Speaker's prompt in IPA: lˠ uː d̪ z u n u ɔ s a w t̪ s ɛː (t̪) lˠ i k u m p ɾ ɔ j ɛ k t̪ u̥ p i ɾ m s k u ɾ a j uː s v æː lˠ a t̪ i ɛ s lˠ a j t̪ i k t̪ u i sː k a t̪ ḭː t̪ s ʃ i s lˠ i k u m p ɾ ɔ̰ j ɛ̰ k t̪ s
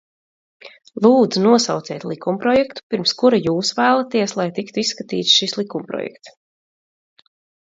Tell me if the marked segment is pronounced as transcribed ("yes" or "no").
yes